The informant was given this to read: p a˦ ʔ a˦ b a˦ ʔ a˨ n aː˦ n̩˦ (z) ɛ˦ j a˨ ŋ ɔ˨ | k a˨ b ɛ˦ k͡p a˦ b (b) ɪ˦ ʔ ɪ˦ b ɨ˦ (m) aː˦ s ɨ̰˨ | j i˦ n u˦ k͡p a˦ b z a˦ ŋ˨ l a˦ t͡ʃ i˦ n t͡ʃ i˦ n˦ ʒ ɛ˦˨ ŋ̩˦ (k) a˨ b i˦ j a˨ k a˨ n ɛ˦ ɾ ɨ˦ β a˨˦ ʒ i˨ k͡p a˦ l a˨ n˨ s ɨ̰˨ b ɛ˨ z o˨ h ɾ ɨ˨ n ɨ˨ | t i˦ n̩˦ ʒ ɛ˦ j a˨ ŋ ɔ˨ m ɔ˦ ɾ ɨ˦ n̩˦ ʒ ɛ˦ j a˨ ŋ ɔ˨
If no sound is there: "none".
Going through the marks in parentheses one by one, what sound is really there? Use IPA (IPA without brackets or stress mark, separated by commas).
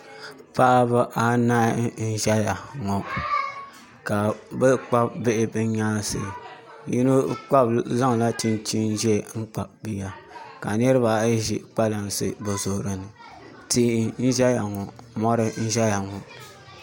ʒ, b, ɲ, k͡p